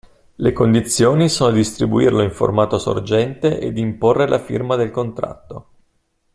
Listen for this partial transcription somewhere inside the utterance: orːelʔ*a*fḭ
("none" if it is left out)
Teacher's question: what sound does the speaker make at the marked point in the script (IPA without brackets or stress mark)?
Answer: a